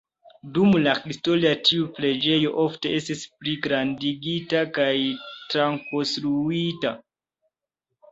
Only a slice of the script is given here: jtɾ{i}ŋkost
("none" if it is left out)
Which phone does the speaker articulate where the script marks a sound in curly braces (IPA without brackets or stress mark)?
a